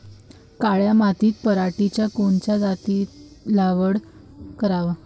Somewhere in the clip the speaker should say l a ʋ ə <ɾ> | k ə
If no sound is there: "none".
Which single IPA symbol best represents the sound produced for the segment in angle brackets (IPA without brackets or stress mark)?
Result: ɽ